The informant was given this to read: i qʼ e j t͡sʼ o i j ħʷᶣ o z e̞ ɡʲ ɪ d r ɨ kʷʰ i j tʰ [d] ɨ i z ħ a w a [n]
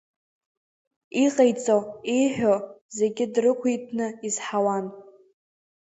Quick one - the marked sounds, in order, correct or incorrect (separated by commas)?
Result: incorrect, correct